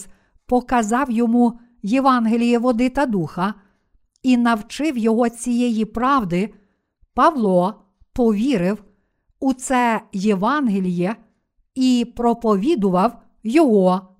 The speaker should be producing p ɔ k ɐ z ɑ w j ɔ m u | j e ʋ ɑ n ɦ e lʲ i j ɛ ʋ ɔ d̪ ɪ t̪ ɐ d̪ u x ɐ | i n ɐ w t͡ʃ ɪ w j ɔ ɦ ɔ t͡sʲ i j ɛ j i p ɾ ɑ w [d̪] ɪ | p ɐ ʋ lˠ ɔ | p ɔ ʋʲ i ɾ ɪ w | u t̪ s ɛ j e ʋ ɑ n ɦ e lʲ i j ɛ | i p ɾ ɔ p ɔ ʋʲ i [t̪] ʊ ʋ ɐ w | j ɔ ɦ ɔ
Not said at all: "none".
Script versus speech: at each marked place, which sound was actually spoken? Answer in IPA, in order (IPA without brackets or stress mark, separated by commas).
d̪, d̪